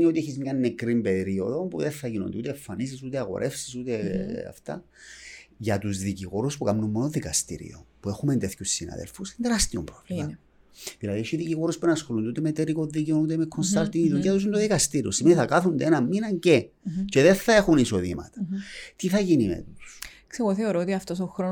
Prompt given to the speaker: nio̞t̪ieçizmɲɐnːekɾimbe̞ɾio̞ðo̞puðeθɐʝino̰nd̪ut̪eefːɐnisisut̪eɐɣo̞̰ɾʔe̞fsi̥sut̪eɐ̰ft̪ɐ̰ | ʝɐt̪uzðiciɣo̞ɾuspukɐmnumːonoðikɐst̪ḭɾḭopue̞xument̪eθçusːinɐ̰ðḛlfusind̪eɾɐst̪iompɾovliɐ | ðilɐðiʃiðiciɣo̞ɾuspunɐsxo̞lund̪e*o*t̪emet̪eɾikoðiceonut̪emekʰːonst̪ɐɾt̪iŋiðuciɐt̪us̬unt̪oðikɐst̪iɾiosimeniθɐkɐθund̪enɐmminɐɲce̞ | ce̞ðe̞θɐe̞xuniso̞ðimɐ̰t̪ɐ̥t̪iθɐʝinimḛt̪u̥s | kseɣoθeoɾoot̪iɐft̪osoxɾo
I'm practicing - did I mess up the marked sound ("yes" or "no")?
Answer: yes